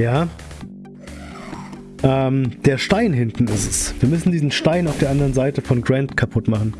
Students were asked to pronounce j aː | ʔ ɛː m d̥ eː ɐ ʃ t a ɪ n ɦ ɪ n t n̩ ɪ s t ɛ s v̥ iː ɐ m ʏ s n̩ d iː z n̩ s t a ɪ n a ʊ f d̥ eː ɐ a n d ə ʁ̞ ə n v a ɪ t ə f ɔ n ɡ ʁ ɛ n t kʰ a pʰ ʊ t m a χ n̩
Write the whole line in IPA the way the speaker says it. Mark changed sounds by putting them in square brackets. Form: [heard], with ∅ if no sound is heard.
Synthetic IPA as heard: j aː | ʔ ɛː m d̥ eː ɐ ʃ t a ɪ n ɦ ɪ n t n̩ ɪ s t ɛ s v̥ iː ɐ m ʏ s n̩ d iː z n̩ [ʃ] t a ɪ n a ʊ f d̥ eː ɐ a n d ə ʁ̞ ə n [z] a ɪ t ə f ɔ n ɡ ʁ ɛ n t kʰ a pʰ ʊ t m a χ n̩